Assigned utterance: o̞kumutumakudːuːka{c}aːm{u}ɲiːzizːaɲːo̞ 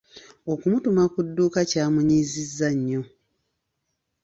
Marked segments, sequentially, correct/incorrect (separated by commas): correct, correct